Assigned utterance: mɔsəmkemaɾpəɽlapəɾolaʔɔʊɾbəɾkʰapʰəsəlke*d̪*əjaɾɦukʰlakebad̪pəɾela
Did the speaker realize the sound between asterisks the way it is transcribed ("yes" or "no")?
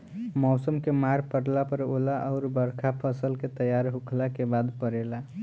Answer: no